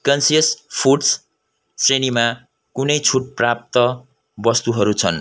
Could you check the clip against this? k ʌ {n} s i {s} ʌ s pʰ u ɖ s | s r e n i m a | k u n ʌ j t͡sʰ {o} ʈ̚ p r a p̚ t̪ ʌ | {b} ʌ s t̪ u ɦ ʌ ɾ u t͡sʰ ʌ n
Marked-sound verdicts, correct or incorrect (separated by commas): correct, incorrect, incorrect, correct